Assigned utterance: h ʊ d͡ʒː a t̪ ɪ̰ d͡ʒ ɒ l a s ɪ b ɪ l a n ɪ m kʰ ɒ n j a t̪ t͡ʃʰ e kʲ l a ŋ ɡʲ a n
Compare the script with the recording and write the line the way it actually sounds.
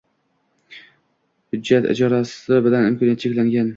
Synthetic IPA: h ʊ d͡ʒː a t̪ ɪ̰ d͡ʒ ɒ ɾ a s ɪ b ɪ l a n ɪ m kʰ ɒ n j a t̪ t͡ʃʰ e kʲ l a ŋ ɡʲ a n

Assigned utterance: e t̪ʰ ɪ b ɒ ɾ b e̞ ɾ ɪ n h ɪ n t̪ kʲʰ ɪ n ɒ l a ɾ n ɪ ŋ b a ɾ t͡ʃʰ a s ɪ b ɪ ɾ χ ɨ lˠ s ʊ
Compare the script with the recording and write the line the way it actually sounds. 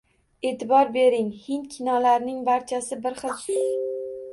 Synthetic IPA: e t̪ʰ ɪ b ɒ ɾ b e̞ ɾ ɪ ŋ h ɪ n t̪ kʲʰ ɪ n ɒ l a ɾ n ɪ ŋ b a ɾ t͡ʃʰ a s ɪ b ɪ ɾ χ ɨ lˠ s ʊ

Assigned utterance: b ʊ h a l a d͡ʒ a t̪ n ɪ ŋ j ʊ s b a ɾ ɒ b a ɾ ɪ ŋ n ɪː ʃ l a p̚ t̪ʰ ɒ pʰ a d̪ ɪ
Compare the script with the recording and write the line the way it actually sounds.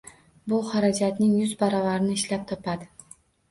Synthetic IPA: b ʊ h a ɾ a d͡ʒ a t̪ n ɪ ŋ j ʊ z b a ɾ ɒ v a ɾ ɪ n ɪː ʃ l a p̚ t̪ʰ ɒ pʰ a d̪ ɪ

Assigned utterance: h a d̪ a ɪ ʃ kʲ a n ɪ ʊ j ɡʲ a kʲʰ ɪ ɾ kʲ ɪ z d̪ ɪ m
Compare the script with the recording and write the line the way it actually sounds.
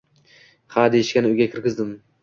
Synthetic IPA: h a d̪ e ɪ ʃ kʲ a n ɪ ʊ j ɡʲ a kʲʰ ɪ ɾ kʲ ɪ z d̪ ɪ m

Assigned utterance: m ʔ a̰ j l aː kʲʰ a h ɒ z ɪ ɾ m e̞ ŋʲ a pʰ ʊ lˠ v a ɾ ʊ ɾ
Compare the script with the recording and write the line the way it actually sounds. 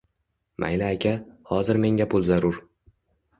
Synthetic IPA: m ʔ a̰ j l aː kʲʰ a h ɒ z ɪ ɾ m e̞ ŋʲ a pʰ ʊ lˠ z a ɾ ʊ ɾ

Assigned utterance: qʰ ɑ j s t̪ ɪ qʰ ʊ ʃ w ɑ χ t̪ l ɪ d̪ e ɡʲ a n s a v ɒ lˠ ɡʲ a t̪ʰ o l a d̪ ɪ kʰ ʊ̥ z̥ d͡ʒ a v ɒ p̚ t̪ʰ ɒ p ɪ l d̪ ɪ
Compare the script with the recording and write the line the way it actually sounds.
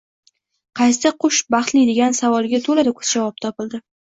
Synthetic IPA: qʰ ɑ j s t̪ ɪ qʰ ʊ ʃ b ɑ χ t̪ l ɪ d̪ e ɡʲ a n s a v ɒ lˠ ɡʲ a t̪ʰ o l a d̪ ɪ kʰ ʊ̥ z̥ d͡ʒ a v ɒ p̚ t̪ʰ ɒ p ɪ l d̪ ɪ

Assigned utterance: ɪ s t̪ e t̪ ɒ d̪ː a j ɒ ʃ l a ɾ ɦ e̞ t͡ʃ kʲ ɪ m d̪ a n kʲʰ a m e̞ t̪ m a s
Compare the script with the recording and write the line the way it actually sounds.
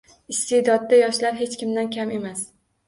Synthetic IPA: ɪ s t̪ e d̪ ɒ d̪ː a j ɒ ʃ l a ɾ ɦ e̞ t͡ʃ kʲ ɪ m d̪ a n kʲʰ a m e̞ m a s

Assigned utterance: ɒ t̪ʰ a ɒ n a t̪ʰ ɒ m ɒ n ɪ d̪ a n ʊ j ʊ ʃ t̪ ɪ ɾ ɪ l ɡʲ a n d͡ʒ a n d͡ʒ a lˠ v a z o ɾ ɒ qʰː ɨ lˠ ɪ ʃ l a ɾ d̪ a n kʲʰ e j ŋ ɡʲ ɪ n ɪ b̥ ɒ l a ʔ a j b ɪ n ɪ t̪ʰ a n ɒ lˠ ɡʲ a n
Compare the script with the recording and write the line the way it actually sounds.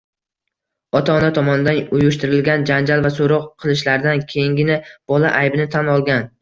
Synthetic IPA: ɒ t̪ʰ a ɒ n a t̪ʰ ɒ m ɒ n ɪ d̪ a n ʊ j ʊ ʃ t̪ ɪ ɾ ɪ l ɡʲ a n d͡ʒ a n d͡ʒ a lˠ v a s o ɾ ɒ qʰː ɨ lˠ ɪ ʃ l a ɾ d̪ a n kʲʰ e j ŋ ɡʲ ɪ n ɪ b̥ ɒ l a ʔ a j b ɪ n ɪ t̪ʰ a n ɒ lˠ ɡʲ a n

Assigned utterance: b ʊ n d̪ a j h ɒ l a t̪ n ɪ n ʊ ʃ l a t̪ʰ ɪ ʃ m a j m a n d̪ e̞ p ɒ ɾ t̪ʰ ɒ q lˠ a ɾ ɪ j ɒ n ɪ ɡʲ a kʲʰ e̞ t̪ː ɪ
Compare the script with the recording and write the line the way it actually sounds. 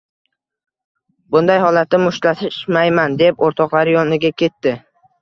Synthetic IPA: b ʊ n d̪ a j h ɒ l a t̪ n ɪ m ʊ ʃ l a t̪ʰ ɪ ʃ m a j m a n d̪ e̞ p o ɾ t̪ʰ ɒ q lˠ a ɾ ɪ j ɒ n ɪ ɡʲ a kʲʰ e̞ t̪ː ɪ

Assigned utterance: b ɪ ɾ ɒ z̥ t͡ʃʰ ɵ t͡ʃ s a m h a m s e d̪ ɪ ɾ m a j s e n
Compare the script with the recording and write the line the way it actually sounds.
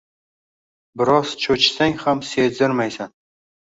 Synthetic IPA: b ɪ ɾ ɒ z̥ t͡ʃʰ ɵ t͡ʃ s a ŋ h a m s e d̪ ɪ ɾ m a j s a n

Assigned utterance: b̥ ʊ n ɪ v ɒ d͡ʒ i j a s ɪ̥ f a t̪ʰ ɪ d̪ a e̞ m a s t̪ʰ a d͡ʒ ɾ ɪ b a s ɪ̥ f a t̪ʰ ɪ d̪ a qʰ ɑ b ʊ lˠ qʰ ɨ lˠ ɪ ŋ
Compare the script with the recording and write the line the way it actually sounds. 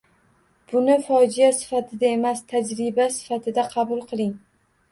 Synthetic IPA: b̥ ʊ n ɪ f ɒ d͡ʒ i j a s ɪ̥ f a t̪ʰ ɪ d̪ a e̞ m a s t̪ʰ a d͡ʒ ɾ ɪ b a s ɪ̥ f a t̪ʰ ɪ d̪ a qʰ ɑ b ʊ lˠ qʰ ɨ lˠ ɪ ŋ

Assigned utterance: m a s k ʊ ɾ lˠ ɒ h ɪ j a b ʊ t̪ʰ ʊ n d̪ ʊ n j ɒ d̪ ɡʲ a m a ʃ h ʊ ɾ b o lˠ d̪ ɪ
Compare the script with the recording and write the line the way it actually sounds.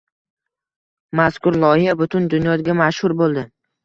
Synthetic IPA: m a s k ʊ ɾ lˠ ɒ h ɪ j a b ʊ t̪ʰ ʊ n d̪ ʊ n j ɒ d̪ ɡʲ a m a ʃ h ʊ ɾ b o lˠ d̪ ɪ

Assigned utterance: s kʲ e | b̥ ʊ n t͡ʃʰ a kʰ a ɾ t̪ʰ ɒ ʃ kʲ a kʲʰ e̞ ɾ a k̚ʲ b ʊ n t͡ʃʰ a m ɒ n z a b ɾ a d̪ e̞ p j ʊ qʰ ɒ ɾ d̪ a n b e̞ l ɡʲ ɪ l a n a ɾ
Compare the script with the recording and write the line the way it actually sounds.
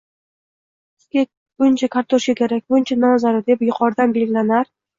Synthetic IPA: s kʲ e | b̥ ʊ n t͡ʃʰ a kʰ a ɾ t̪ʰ o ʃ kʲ a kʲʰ e̞ ɾ a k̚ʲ b ʊ n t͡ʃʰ a n ɒ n z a ɾ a d̪ e̞ p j ʊ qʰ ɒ ɾ d̪ a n b e̞ l ɡʲ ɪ l a n a ɾ

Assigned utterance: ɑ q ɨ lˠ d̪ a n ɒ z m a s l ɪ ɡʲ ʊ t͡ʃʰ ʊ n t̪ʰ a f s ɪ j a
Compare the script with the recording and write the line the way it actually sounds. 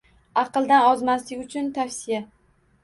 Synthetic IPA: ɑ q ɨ lˠ d̪ a n ɒ z m a s l ɪ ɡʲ ʊ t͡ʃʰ ʊ n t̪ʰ a f s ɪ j a

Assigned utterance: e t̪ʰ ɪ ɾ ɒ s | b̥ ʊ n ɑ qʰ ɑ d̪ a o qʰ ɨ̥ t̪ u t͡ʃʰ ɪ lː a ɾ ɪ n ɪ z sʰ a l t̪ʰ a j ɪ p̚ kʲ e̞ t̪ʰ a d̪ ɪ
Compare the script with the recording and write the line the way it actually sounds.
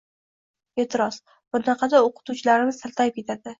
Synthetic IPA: e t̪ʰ ɪ ɾ ɒ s | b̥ ʊ n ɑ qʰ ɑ d̪ a o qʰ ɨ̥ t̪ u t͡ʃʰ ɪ l a ɾ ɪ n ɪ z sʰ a l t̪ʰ a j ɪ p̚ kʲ e̞ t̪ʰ a d̪ ɪ

